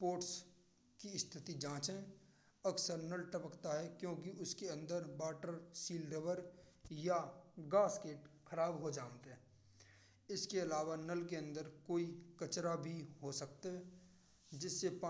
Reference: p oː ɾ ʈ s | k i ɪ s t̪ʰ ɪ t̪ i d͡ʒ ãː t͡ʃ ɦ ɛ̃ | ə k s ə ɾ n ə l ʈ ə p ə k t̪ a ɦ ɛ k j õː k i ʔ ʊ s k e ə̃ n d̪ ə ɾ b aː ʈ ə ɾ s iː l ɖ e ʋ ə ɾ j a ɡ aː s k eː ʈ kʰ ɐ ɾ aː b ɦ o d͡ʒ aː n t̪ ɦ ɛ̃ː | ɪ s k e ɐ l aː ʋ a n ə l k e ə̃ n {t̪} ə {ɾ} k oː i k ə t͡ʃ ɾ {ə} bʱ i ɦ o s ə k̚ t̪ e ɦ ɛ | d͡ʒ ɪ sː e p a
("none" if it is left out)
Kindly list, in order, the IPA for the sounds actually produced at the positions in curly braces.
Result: d̪, ɾ, a

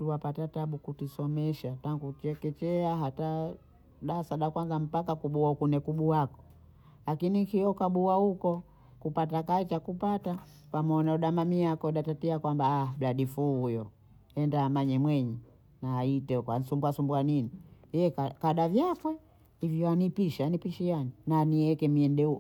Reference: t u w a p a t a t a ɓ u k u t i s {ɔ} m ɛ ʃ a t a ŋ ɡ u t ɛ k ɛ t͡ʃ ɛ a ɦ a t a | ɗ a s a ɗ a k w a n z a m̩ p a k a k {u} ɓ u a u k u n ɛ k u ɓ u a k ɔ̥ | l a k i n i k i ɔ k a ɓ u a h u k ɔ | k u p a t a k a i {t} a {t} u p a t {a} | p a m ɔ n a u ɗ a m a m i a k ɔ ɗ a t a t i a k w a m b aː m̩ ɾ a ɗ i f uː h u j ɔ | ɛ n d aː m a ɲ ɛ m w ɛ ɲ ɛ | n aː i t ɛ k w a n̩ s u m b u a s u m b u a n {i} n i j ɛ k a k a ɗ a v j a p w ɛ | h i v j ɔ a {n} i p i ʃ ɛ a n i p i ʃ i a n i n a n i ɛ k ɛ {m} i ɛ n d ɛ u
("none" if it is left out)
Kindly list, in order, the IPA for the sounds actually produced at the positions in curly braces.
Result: ɔ, u, t͡ʃ, k, a, i, n, m

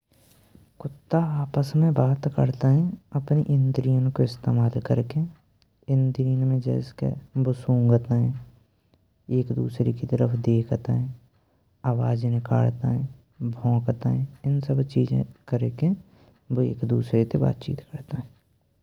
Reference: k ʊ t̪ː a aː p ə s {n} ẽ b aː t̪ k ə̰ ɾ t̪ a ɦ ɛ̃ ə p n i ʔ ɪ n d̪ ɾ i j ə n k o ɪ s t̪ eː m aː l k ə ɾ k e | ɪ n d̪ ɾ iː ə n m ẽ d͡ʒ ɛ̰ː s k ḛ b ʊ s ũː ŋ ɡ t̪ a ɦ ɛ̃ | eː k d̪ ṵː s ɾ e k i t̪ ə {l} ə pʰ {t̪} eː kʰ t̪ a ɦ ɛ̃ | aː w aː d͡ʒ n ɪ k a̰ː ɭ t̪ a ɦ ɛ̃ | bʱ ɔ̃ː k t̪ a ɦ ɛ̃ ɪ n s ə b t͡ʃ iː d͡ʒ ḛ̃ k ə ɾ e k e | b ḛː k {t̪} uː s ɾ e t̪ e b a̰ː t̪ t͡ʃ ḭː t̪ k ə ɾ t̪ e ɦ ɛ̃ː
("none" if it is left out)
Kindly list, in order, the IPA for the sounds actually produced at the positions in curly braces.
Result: m, ɾ, d̪, d̪

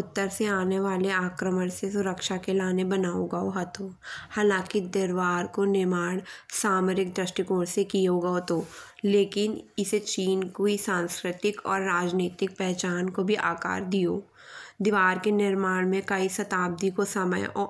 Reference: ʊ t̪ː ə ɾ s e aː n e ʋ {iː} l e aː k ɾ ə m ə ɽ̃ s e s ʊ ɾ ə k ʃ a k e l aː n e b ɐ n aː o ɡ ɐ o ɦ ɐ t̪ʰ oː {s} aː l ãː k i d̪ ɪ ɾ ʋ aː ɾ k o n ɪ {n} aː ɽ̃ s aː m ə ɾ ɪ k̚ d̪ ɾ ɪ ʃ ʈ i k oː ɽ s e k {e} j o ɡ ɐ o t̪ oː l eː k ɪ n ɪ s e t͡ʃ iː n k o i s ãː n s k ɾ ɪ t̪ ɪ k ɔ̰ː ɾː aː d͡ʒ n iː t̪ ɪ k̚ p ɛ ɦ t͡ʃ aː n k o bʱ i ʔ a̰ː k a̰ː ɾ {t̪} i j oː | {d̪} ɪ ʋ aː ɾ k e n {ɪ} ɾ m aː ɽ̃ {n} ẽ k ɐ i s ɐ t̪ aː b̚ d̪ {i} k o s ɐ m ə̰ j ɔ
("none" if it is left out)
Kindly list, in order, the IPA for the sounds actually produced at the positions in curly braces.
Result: aː, h, m, i, d̪, d̪, ɪ, m, i

